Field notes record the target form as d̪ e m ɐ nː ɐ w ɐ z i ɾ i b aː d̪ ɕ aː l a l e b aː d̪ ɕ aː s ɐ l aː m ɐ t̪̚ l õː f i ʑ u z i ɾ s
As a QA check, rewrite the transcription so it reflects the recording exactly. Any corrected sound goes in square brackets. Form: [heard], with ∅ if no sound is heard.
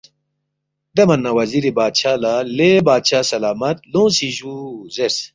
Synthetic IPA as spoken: d̪ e m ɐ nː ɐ w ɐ z i ɾ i b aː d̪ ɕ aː l a l e b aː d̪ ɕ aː s ɐ l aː m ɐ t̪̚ l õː [s] i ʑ u z [e] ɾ s